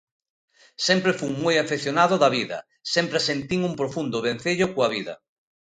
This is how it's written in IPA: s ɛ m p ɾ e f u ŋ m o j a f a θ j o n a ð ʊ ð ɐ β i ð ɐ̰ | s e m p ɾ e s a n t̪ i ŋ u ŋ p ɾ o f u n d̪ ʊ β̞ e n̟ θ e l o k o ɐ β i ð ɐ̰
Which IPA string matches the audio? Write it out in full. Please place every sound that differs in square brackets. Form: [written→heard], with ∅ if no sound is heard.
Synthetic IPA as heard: s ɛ m p ɾ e f u ŋ m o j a f [a→e] θ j o n a ð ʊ ð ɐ β i ð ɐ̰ | s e m p ɾ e s [a→e] n t̪ i ŋ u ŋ p ɾ o f u n d̪ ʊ β̞ e n̟ θ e [l→ʎ] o k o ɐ β i ð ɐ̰